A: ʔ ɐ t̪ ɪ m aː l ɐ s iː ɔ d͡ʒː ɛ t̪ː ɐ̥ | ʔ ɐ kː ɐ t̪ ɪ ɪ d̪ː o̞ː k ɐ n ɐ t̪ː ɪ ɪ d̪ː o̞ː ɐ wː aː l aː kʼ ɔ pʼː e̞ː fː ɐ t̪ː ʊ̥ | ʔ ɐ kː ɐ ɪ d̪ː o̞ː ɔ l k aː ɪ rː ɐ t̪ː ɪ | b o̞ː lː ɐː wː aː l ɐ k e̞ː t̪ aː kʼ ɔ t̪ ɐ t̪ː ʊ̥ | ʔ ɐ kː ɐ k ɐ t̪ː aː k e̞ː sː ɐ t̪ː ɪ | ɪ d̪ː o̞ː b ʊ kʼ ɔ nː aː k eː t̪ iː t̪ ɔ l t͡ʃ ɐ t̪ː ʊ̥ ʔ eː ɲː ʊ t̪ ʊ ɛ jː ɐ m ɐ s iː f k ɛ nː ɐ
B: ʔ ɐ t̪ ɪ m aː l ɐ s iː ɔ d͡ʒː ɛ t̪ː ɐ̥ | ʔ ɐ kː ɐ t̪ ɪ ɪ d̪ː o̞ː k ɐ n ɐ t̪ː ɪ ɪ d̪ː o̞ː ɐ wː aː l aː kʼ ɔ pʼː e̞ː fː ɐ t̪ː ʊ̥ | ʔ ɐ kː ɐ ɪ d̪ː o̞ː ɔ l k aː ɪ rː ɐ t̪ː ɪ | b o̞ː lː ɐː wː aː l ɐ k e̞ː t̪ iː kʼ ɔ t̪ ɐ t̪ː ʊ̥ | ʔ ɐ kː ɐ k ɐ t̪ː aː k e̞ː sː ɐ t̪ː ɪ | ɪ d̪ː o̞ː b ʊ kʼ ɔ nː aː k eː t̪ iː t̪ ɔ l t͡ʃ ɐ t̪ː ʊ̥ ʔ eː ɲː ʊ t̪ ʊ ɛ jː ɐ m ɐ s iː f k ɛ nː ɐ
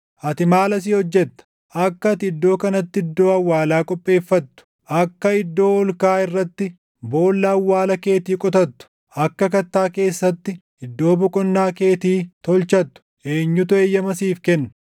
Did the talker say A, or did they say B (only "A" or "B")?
B